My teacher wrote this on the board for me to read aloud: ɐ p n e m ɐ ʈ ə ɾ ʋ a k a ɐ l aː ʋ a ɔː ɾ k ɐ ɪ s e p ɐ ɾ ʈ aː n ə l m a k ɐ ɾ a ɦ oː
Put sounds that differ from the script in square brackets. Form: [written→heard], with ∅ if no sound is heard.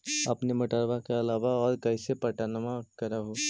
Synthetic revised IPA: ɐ p n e m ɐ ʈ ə ɾ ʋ a k [a→e] ɐ l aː ʋ a ɔː ɾ k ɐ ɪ s e p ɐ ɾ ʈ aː n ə [l→∅] m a k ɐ ɾ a ɦ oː